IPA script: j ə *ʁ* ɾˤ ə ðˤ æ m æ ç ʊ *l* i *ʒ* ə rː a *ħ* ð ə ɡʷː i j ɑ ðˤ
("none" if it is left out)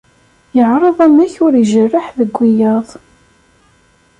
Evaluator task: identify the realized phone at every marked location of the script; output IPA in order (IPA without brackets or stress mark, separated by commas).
ʕ, ɾ, ʒ, ħ